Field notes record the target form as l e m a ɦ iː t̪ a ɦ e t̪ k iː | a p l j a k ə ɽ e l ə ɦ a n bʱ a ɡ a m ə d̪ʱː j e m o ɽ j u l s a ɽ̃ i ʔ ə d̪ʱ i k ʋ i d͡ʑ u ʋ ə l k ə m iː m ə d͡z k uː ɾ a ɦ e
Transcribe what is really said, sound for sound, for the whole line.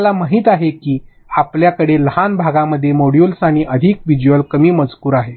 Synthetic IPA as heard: l a m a ɦ iː t̪ a ɦ e k iː | a p l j a k ə ɽ e l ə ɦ a n bʱ a ɡ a m ə d̪ʱː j e m o ɽ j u l s a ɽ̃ i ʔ ə d̪ʱ i k ʋ i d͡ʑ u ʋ ə l k ə m iː m ə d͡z k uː ɾ a ɦ e

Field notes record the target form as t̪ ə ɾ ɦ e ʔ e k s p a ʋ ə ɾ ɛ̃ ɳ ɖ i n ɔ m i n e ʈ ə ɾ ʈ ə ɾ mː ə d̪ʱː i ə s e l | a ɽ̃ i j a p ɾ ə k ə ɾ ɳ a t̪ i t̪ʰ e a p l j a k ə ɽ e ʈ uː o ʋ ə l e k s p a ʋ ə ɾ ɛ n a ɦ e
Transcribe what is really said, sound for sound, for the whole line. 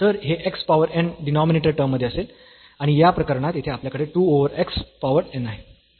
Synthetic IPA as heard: t̪ ə ɾ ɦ e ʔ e k s p a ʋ ə ɾ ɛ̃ ɳ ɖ i n ɔ m i n e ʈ ə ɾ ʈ ə ɾ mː ə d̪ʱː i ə s e l | a ɽ̃ i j a p ɾ ə k ə ɾ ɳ a t̪ i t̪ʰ e a p l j a k ə ɽ e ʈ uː o ʋ ə ɾ e k s p a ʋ ə ɾ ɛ n a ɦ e

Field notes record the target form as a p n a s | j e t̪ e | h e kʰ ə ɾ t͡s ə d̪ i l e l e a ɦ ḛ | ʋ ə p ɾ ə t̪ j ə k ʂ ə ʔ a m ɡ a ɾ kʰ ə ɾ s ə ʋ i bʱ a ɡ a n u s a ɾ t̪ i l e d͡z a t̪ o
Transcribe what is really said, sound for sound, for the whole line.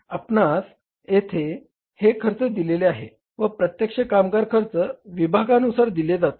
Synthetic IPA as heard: a p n a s | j e t̪ʰ e | h e kʰ ə ɾ t͡s ə d̪ i l e l e a ɦ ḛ | ʋ ə p ɾ ə t̪ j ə k ʂ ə k a m ɡ a ɾ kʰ ə ɾ t͡s ə ʋ i bʱ a ɡ a n u s a ɾ d̪ i l e d͡z a t̪ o

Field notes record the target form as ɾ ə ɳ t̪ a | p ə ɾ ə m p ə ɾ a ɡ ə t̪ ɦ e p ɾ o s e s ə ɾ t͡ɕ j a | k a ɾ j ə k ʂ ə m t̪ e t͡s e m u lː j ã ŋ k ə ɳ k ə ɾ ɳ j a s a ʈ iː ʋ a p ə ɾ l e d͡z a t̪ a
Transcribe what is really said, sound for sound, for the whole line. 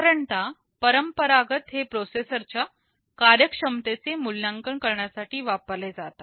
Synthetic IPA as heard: ɾ ə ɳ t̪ a | p ə ɾ ə m p ə ɾ a ɡ ə t̪ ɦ e p ɾ o s e s ə ɾ t͡ɕ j a | k a ɾ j ə k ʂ ə m t̪ e t͡s e m u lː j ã ŋ k ə ɳ k ə ɾ ɳ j a s a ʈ iː ʋ a p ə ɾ l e d͡z a t̪ a

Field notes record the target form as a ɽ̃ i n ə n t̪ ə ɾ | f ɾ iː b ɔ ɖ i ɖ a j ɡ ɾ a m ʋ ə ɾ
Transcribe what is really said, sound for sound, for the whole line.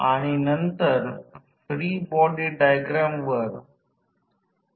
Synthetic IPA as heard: a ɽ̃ i n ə n t̪ ə ɾ | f ɾ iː b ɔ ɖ i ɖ a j ɡ ɾ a m ʋ ə ɾ

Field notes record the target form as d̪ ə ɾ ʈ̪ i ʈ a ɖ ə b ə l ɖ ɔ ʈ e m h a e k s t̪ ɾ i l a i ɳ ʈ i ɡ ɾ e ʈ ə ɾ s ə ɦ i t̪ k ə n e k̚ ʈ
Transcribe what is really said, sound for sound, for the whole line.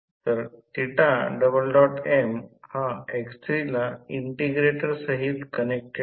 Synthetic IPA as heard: t̪ ə ɾ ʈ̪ i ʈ a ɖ ə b ə l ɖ ɔ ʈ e m h a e k s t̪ ɾ i l a i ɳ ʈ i ɡ ɾ e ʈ ə ɾ s ə ɦ i t̪ k ə n e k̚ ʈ

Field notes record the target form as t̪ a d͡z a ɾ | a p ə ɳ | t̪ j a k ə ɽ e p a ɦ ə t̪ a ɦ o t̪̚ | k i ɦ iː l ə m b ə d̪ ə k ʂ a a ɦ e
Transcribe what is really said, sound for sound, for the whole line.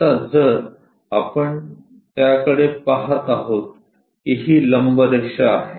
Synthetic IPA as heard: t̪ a d͡z ə ɾ | a p ə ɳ | t̪ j a k ə ɽ e p a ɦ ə t̪ a ɦ o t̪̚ | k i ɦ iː l ə m b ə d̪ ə k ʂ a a ɦ e

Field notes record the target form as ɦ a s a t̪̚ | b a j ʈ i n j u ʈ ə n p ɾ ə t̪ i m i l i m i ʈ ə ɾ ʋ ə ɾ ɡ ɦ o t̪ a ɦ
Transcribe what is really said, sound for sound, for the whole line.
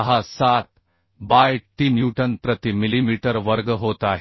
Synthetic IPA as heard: ɦ a s a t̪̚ | b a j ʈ i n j u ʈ ə n p ɾ ə t̪ i m i l i m i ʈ ə ɾ ʋ ə ɾ ɡ ɦ o t̪ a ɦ

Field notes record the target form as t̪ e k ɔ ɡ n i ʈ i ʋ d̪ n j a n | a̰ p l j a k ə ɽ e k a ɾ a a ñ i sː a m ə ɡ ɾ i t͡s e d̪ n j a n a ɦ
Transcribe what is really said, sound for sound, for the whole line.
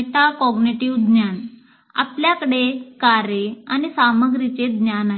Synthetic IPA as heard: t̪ a k ɔ ɡ n i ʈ i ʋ d̪ n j a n | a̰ p l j a k ə ɽ e k a ɾ e a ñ i s a m ə ɡ ɾ i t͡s e d̪ n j a n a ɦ

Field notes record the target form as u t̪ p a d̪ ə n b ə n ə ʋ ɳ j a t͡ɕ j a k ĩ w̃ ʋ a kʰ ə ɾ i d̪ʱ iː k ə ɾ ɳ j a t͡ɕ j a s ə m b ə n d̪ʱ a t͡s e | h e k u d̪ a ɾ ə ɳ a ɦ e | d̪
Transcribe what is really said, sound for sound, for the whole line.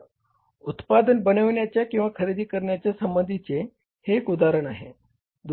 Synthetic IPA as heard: u t̪ p a d̪ ə n b ə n ə ʋ ɳ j a t͡ɕ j a k ĩ w̃ ʋ a kʰ ə ɾ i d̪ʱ iː k ə ɾ ɳ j a t͡ɕ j a s ə m b ə n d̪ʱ i t͡s e | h e k u d̪ a ɾ ə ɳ a ɦ e | d̪

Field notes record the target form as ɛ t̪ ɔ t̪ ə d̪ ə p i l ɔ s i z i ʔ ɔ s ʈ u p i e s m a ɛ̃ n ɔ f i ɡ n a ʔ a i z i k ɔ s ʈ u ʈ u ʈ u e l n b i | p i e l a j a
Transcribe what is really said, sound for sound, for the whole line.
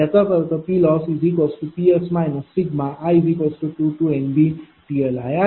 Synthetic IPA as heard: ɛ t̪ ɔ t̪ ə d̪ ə p i l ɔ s i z i k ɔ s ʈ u p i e s m a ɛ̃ n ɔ s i ɡ m a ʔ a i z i k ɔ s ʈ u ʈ u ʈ u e n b i | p i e l a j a

